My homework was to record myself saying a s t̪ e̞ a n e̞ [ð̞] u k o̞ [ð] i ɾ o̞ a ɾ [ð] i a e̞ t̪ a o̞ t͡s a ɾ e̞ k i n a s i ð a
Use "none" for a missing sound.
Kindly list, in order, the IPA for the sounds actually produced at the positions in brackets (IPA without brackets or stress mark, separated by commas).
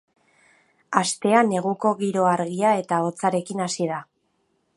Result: ɣ̞, ɣ, ɣ